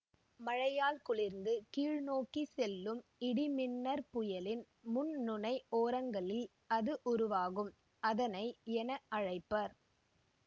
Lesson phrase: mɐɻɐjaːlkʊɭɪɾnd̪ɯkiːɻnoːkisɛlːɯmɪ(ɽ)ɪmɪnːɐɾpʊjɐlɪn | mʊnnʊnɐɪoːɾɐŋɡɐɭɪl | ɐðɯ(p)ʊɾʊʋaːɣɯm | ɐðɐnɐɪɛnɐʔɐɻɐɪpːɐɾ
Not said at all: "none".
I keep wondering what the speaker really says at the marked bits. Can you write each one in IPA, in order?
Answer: ɽ, ʔ

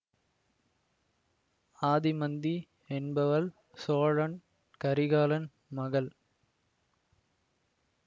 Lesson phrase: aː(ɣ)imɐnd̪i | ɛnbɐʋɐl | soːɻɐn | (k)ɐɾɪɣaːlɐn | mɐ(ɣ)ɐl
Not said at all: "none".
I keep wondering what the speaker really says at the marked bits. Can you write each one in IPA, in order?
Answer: ð, k, ɣ

